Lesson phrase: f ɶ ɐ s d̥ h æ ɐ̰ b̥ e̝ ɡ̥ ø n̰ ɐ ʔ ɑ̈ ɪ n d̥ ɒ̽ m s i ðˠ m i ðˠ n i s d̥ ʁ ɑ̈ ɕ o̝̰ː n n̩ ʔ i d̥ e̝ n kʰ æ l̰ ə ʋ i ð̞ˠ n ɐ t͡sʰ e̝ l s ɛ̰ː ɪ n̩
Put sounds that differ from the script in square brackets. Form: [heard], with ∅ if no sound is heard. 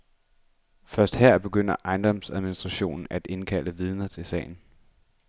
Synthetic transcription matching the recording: f ɶ ɐ s d̥ h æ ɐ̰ b̥ e̝ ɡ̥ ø n̰ ɐ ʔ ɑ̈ ɪ n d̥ ɒ̽ m s [æ] ðˠ m i [∅] n i s d̥ ʁ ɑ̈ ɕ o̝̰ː n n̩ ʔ [æ] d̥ e̝ n kʰ æ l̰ ə ʋ i ð̞ˠ n ɐ t͡sʰ e̝ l s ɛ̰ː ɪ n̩